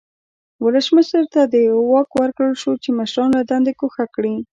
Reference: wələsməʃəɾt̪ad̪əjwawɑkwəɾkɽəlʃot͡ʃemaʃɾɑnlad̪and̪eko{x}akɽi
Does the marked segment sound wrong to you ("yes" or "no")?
no